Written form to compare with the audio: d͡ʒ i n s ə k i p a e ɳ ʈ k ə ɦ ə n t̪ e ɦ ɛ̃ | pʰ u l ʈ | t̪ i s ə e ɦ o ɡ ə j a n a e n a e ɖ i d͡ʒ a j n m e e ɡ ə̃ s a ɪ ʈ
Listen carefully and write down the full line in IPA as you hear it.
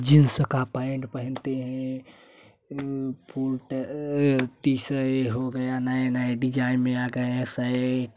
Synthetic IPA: d͡ʒ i n s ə k a p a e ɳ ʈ p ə ɦ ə n t̪ e ɦ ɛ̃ | pʰ u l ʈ | t̪ i s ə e ɦ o ɡ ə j a n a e n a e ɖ i d͡ʒ a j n m e a ɡ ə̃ s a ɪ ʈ